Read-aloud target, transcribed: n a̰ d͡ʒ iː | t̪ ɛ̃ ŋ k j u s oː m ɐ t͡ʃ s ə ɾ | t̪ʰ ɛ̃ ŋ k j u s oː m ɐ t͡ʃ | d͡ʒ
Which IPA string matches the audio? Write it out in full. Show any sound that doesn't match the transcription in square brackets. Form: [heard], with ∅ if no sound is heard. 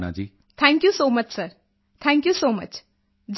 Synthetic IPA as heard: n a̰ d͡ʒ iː | [t̪ʰ] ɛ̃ ŋ k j u s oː m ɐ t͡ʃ s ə ɾ | t̪ʰ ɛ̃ ŋ k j u s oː m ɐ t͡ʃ | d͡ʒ